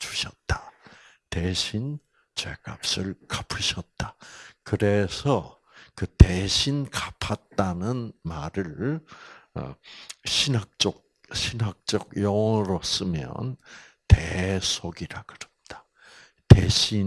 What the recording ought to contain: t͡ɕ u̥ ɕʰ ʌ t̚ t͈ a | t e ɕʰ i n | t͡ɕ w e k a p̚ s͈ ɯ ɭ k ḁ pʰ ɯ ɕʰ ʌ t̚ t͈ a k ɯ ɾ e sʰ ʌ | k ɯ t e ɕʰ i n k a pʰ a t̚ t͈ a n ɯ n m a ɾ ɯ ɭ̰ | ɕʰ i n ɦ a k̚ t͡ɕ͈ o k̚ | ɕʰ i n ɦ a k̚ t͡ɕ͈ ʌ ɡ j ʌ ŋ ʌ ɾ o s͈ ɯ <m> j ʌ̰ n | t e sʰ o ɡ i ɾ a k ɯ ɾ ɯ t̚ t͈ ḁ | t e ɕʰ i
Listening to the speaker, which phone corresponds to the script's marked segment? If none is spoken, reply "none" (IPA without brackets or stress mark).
m